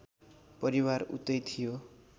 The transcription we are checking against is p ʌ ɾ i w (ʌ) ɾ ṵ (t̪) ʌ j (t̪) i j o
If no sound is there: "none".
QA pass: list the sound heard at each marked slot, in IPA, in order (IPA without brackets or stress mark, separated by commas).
a, t̪, t̪ʰ